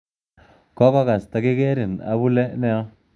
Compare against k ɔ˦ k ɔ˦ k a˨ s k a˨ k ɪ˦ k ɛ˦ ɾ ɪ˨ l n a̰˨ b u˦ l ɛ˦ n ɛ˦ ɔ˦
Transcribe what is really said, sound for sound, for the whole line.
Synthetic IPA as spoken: k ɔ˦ k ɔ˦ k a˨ s t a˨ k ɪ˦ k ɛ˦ ɾ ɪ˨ n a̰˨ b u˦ l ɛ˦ n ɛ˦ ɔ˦

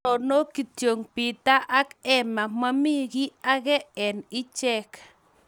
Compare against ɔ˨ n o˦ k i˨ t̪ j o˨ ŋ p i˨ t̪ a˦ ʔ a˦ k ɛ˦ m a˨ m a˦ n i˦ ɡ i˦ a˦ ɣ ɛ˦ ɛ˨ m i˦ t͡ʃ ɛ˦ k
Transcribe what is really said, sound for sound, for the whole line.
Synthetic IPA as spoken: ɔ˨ n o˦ k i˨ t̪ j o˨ ŋ p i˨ t̪ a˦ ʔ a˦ k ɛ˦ m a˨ m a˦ m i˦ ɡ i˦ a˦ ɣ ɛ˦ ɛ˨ n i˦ t͡ʃ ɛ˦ k

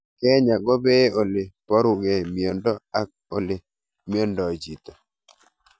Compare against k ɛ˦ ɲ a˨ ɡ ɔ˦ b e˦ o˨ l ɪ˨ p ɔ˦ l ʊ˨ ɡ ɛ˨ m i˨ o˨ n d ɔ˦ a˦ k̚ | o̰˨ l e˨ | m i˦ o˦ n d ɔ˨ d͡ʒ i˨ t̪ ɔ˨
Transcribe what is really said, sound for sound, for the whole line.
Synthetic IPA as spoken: k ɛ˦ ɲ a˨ ɡ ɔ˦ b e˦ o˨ l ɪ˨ p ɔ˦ ɾ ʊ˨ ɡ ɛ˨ m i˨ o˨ n d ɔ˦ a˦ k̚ | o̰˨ l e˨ | m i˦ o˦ n d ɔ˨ d͡ʒ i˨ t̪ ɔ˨

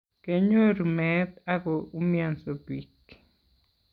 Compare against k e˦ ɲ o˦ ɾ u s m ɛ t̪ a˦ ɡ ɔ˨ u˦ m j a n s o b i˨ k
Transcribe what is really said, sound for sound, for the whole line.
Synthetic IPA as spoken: k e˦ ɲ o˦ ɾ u m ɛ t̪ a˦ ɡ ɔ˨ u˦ m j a n s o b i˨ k

